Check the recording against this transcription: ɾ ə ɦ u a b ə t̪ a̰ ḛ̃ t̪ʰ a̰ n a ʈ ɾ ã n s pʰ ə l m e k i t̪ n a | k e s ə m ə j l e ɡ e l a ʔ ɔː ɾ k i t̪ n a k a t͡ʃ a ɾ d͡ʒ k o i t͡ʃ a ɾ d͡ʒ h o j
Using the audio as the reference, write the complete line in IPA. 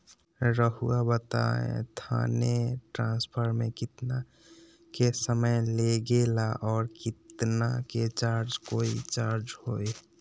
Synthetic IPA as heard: ɾ ə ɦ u a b ə t̪ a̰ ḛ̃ t̪ʰ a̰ n e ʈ ɾ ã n s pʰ ə ɾ m e k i t̪ n a | k e s ə m ə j l e ɡ e l a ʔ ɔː ɾ k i t̪ n a k e t͡ʃ a ɾ d͡ʒ k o i t͡ʃ a ɾ d͡ʒ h o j